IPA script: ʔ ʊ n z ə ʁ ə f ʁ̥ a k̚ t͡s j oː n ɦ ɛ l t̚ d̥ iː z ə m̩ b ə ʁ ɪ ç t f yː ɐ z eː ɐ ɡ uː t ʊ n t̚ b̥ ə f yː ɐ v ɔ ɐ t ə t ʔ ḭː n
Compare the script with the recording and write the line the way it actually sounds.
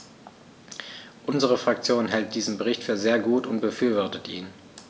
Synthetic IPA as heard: ʔ ʊ n z ə ʁ ə f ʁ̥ a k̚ t͡s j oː n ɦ ɛ l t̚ d̥ iː z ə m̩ b ə ʁ ɪ ç t f yː ɐ z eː ɐ ɡ uː t ʊ n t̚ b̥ ə f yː ɐ v ɔ ɐ t ə t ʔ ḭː n

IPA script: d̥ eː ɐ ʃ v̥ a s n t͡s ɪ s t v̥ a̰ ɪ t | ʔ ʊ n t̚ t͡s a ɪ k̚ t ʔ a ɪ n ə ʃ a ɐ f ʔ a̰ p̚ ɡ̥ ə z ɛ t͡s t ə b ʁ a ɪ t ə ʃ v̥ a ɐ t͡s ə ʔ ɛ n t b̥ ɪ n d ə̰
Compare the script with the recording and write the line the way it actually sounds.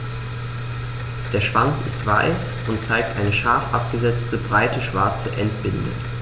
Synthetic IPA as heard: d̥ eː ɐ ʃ v̥ a n t͡s ɪ s t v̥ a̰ ɪ s | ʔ ʊ n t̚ t͡s a ɪ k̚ t ʔ a ɪ n ə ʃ a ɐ f ʔ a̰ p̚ ɡ̥ ə z ɛ t͡s t ə b ʁ a ɪ t ə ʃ v̥ a ɐ t͡s ə ʔ ɛ n t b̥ ɪ n d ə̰

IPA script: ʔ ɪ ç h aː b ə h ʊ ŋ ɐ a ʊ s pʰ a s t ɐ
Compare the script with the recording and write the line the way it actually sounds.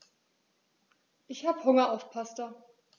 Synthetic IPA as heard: ʔ ɪ ç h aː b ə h ʊ ŋ ɐ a ʊ f pʰ a s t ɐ

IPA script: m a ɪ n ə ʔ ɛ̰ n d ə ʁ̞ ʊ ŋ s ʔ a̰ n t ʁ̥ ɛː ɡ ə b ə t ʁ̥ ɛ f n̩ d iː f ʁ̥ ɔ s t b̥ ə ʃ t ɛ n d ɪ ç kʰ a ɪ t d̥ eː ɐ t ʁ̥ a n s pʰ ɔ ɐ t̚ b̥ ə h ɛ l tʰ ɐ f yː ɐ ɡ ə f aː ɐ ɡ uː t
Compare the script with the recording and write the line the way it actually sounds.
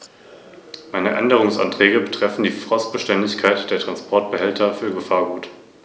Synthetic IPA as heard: m a ɪ n ə ʔ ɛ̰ n d ə ʁ̞ ʊ ŋ s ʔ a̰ n t ʁ̥ ɛː ɡ ə b ə t ʁ̥ ɛ f n̩ d iː f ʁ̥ ɔ s t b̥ ə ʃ t ɛ n d ɪ ç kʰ a ɪ t d̥ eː ɐ t ʁ̥ a n s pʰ ɔ ɐ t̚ b̥ ə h ɛ l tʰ ɐ f yː ɐ ɡ ə f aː ɐ ɡ uː t

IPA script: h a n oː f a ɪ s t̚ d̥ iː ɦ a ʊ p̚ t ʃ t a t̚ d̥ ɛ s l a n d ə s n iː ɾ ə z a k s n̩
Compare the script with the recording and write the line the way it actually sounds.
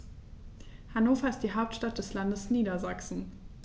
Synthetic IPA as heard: h a n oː f ɐ ɪ s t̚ d̥ iː ɦ a ʊ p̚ t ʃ t a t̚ d̥ ɛ s l a n d ə s n iː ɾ ɐ z a k s n̩

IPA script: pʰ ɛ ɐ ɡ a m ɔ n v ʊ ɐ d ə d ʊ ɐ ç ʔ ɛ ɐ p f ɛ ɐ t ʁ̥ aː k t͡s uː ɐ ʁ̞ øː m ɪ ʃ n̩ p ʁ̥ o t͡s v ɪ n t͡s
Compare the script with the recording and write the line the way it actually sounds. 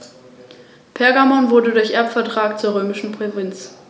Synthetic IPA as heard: pʰ ɛ ɐ ɡ a m ɔ n v ʊ ɐ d ə d ʊ ɐ ç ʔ ɛ ɐ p f ɛ ɐ t ʁ̥ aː k t͡s uː ɐ ʁ̞ øː m ɪ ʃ n̩ p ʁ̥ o v ɪ n t͡s

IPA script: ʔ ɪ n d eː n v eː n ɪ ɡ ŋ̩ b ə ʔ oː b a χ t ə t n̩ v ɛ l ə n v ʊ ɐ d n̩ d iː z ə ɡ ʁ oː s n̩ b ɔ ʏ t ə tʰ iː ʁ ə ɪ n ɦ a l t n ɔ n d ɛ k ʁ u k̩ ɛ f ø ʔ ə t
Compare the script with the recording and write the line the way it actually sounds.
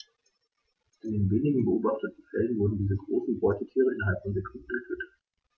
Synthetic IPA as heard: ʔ ɪ n d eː n v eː n ɪ ɡ ŋ̩ b ə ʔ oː b a χ t ə t n̩ f ɛ l ə n v ʊ ɐ d n̩ d iː z ə ɡ ʁ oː s n̩ b ɔ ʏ t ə tʰ iː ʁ ə ɪ n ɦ a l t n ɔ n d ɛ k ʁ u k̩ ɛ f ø t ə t

